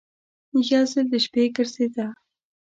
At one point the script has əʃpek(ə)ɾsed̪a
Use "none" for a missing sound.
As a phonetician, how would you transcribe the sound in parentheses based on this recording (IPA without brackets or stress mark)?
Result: ə